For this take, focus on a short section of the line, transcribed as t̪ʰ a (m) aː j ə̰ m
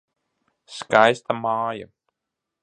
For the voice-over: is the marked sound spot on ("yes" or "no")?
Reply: yes